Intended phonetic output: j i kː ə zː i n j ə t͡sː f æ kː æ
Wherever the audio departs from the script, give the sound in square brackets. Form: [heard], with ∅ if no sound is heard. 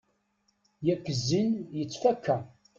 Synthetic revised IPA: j [æ] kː ə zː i n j ə t͡sː f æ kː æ